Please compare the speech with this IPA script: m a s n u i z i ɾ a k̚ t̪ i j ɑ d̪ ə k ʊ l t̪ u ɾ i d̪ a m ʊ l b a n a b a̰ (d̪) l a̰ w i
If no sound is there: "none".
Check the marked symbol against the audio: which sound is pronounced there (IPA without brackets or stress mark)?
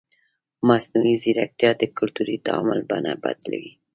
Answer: d̪